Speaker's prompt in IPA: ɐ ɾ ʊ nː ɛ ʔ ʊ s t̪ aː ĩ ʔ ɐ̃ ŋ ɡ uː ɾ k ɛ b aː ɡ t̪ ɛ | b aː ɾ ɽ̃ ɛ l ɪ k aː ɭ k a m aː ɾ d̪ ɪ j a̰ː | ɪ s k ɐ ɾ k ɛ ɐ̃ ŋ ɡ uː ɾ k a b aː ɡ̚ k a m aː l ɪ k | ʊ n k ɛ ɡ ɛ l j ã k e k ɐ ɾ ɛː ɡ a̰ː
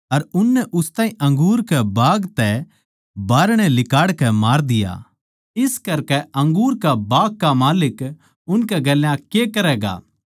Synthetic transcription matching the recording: ɐ ɾ ʊ nː ɛ ʔ ʊ s t̪ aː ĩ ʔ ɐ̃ ŋ ɡ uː ɾ k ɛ b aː ɡ t̪ ɛ | b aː ɾ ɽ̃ ɛ l ɪ k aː ɽ k ɛ m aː ɾ d̪ ɪ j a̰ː | ɪ s k ɐ ɾ k ɛ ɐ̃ ŋ ɡ uː ɾ k a b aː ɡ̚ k a m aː l ɪ k | ʊ n k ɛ ɡ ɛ l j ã k e k ɐ ɾ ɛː ɡ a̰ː

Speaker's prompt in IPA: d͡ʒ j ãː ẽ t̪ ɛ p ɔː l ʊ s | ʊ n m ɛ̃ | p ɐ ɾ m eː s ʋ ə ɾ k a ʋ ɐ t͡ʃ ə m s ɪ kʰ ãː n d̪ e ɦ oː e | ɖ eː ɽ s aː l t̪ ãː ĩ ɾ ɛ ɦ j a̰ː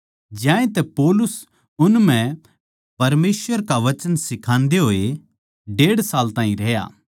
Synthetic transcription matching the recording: d͡ʒ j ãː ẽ t̪ ɛ p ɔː l ʊ s | ʊ n m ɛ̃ | p ɐ ɾ m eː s ʋ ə ɾ k a ʋ ɐ t͡ʃ ə n s ɪ kʰ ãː n d̪ e ɦ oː e | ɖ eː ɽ s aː l t̪ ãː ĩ ɾ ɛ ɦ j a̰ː

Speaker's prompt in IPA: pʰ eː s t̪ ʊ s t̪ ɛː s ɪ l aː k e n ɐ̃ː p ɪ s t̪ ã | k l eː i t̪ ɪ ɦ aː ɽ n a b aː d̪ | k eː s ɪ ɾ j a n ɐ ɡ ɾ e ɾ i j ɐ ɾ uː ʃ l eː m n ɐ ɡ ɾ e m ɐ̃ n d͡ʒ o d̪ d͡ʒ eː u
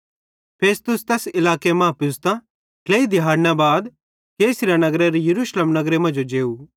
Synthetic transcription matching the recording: pʰ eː s t̪ ʊ s t̪ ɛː s ɪ l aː k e m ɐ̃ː p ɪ s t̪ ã | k l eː i d̪ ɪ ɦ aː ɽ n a b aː d̪ | k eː s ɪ ɾ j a n ɐ ɡ ɾ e ɾ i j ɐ ɾ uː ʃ l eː m n ɐ ɡ ɾ e m ɐ̃ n d͡ʒ o d͡ʒ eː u

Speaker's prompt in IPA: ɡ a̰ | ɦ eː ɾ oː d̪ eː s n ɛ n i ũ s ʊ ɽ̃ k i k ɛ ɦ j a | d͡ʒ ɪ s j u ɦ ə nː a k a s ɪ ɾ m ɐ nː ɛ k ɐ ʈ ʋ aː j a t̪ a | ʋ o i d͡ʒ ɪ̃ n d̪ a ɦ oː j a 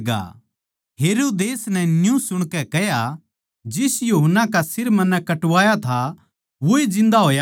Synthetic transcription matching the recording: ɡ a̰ | ɦ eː ɾ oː d̪ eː s n ɛ n j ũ s ʊ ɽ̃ k ɛ k ɛ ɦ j a | d͡ʒ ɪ s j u ɦ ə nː a k a s ɪ ɾ m ɐ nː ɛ k ɐ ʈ ʋ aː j a t̪ʰ a | ʋ o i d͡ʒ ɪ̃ n d̪ a ɦ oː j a

